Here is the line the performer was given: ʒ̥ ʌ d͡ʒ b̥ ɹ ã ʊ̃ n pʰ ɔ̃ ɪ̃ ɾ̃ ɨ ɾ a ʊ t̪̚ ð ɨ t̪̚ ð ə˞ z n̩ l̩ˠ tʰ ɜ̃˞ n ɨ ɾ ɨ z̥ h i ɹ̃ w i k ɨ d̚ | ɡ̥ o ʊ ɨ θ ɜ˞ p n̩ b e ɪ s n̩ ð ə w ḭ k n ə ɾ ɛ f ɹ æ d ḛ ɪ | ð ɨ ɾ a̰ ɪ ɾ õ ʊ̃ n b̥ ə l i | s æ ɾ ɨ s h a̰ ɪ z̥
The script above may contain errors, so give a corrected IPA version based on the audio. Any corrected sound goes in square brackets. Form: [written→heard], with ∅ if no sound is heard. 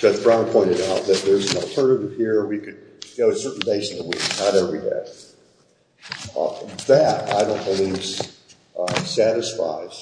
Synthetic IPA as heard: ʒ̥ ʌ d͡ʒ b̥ ɹ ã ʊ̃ n pʰ ɔ̃ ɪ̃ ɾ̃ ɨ ɾ a ʊ t̪̚ ð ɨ t̪̚ ð ə˞ z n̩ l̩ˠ tʰ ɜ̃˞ n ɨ ɾ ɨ [z̥→v̥] h i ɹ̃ w i k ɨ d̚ | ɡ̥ o ʊ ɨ [θ→s] ɜ˞ [p→ʔ] n̩ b e ɪ s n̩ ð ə w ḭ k n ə ɾ ɛ [f→v] ɹ [æ→i] d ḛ ɪ | ð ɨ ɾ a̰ ɪ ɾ õ ʊ̃ n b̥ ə l i | s æ ɾ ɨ s [h→f] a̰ ɪ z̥

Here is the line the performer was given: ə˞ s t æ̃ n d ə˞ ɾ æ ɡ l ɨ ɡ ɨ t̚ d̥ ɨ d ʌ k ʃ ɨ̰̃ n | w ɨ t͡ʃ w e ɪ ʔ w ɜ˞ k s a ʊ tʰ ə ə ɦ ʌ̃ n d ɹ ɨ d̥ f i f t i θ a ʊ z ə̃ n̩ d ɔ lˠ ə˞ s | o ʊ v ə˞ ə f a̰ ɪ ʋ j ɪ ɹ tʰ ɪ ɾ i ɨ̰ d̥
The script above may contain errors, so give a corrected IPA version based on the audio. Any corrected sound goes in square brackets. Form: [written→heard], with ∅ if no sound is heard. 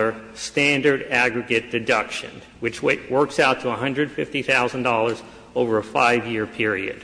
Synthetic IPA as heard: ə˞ s t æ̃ n d ə˞ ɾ æ ɡ [l→ɹ] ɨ ɡ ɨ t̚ d̥ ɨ d ʌ k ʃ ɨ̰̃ n | w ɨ t͡ʃ w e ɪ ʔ w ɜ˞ k s a ʊ tʰ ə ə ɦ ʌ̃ n d ɹ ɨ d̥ f [i→ɪ] f t i θ a ʊ z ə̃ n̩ d ɔ lˠ ə˞ [s→z] | o ʊ v ə˞ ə f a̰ ɪ [ʋ→v] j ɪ ɹ [tʰ→pʰ] ɪ [ɾ→ɹ] i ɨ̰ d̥

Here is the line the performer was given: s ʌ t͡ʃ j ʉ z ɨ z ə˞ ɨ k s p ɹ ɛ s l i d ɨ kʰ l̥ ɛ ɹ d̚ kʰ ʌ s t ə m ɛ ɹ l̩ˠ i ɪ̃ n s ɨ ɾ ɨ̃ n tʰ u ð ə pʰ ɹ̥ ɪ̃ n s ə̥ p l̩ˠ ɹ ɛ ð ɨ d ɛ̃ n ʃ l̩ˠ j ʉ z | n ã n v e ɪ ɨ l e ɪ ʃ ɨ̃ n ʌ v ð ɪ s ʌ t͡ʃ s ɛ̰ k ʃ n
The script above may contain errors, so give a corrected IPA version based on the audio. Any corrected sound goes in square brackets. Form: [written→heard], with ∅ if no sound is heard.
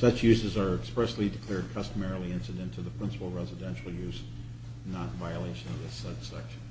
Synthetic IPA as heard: s ʌ t͡ʃ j ʉ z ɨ z ə˞ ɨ k s p ɹ ɛ s l i d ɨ kʰ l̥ ɛ ɹ d̚ kʰ ʌ s t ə m ɛ ɹ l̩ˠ i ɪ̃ n s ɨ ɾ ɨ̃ n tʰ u ð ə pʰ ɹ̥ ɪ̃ n s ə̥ p l̩ˠ ɹ ɛ [ð→z] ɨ d ɛ̃ n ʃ l̩ˠ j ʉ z | n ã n v [e→a] ɪ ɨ l e ɪ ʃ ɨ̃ n ʌ v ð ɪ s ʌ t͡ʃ s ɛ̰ k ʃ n

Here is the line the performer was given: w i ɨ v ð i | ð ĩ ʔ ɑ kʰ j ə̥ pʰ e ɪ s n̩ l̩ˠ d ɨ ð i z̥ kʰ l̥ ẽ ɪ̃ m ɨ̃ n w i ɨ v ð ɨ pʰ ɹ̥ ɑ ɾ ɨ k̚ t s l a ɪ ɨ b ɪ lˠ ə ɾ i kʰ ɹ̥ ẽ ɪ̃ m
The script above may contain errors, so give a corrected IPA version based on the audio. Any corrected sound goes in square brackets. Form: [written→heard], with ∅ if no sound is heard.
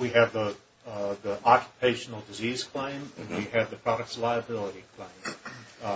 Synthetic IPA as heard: w i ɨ v ð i | ð [ĩ→i] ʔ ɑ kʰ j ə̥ pʰ e ɪ [s→ʃ] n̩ l̩ˠ d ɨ [ð→z] i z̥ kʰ l̥ ẽ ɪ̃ m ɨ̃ n w i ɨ v ð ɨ pʰ ɹ̥ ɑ ɾ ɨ k̚ t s l a ɪ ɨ b ɪ lˠ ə ɾ i kʰ [ɹ̥→l̥] ẽ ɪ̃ m

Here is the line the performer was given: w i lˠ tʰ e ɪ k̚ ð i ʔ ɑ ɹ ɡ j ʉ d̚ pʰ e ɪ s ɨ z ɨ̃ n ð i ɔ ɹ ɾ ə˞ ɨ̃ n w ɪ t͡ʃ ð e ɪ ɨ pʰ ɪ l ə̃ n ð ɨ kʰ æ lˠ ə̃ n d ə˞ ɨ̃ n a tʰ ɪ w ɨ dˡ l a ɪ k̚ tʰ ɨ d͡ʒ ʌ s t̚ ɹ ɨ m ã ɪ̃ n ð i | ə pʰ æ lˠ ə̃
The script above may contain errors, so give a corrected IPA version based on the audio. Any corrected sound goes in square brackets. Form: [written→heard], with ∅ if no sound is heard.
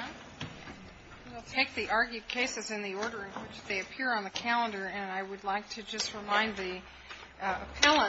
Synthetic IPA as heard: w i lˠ tʰ e ɪ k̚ ð i ʔ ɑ ɹ ɡ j ʉ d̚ [pʰ→kʰ] e ɪ s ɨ z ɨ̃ n ð i ɔ ɹ ɾ ə˞ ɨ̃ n w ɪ t͡ʃ ð e ɪ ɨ pʰ ɪ [l→ɹ] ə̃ n ð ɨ kʰ æ lˠ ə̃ n d ə˞ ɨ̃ n a [tʰ→∅] ɪ w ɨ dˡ l a ɪ k̚ tʰ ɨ d͡ʒ ʌ s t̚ ɹ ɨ m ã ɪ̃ n ð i | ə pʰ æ lˠ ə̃

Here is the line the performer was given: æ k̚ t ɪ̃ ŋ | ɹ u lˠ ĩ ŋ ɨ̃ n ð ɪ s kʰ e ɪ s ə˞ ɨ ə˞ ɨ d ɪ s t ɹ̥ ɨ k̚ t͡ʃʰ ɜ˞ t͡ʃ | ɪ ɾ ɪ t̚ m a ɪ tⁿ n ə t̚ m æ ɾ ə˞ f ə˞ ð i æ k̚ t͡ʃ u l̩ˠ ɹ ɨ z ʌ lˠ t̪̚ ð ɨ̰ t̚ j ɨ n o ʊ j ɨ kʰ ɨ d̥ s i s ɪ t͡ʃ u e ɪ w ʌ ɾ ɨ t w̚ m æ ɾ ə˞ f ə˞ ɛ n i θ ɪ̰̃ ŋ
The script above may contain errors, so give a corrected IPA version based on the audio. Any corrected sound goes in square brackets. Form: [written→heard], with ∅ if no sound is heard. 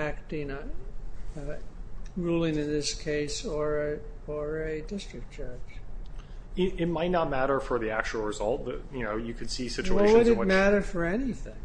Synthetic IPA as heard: æ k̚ t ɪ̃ ŋ | ɹ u lˠ [ĩ→ɪ̃] ŋ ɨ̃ n ð ɪ s kʰ e ɪ s ə˞ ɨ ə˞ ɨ d ɪ s t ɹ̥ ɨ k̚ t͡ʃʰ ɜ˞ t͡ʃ | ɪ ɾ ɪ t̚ m a ɪ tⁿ n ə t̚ m æ ɾ ə˞ f ə˞ ð i æ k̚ t͡ʃ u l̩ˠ ɹ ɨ z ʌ lˠ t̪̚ ð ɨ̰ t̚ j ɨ n o ʊ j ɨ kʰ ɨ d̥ s i s ɪ t͡ʃ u e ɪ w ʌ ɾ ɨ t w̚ m æ ɾ ə˞ f ə˞ ɛ n i θ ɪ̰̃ ŋ

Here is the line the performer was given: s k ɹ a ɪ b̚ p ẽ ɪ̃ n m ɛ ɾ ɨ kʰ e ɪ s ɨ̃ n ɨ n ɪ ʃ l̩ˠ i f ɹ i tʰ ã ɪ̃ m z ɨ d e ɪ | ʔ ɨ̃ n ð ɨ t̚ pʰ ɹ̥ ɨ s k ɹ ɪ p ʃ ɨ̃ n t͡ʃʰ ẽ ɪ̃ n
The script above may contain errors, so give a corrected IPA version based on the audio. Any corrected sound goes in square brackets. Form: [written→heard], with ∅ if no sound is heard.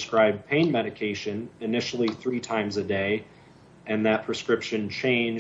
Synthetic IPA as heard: s k ɹ a ɪ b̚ [p→pʰ] ẽ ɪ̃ n m ɛ ɾ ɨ kʰ e ɪ [s→ʃ] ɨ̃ n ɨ n ɪ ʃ l̩ˠ i [f→θ] ɹ i tʰ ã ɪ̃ m z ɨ d e ɪ | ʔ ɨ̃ n ð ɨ t̚ pʰ ɹ̥ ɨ s k ɹ ɪ p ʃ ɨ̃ n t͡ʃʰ ẽ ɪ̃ n

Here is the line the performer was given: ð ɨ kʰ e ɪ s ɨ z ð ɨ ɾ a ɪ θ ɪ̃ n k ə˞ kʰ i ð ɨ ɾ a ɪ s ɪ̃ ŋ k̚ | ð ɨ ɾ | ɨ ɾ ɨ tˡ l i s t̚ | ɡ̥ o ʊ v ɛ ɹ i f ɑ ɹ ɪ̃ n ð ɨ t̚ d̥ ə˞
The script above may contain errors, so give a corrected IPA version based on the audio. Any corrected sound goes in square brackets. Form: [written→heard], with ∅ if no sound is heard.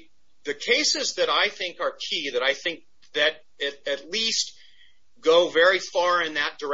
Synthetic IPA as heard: ð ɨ kʰ e ɪ s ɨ z ð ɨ ɾ a ɪ θ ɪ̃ [n→ŋ] k ə˞ kʰ i ð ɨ ɾ a ɪ [s→θ] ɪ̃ ŋ k̚ | ð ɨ ɾ | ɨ ɾ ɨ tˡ l i s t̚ | ɡ̥ o ʊ v ɛ ɹ i f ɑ ɹ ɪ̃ n ð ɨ t̚ d̥ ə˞

